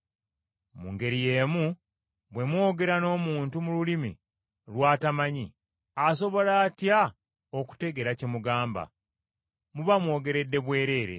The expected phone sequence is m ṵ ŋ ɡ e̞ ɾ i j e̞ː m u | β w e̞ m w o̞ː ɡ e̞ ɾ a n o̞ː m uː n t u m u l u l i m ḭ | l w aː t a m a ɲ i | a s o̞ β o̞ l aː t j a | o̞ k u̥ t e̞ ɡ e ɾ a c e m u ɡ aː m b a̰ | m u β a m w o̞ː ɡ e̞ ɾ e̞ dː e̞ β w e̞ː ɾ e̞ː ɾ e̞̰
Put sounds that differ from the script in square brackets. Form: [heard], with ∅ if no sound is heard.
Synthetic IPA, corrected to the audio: m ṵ ŋ ɡ e̞ ɾ i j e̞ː m u | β w e̞ m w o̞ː ɡ e̞ ɾ a n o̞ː m uː n t u m u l u l i m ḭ | l w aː t a m a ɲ i | a s o̞ β o̞ l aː t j a | o̞ k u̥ t e̞ ɡ e ɾ a c e m u ɡ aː m b a̰ | m u β a m w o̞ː ɡ e̞ ɾ e̞ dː e̞ β w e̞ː ɾ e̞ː ɾ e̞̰